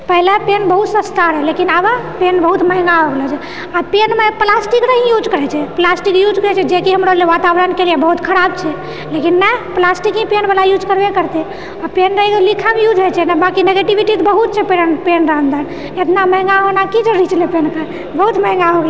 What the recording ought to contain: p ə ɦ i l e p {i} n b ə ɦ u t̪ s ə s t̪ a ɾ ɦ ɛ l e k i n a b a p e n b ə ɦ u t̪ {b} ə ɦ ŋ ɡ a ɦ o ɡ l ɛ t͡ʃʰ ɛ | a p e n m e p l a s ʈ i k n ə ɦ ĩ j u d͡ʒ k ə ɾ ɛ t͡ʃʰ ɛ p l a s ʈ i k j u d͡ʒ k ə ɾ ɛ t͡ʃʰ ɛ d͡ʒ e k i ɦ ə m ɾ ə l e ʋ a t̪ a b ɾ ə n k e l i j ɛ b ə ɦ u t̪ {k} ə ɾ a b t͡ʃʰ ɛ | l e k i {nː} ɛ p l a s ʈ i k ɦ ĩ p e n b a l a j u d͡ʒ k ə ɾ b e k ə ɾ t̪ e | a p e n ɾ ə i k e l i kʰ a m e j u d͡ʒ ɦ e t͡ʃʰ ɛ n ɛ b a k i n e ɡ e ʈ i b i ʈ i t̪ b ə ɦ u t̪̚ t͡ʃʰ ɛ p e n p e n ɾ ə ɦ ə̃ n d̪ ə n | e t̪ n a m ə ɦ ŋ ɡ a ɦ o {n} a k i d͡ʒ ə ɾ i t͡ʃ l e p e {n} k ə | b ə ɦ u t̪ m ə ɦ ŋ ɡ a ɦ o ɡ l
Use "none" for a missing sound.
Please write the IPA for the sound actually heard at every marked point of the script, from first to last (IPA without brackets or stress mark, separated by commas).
e, m, kʰ, nː, n, n